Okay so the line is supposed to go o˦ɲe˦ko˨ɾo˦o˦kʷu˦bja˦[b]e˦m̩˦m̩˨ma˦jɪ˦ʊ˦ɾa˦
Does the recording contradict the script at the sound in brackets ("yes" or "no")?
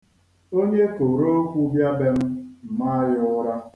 no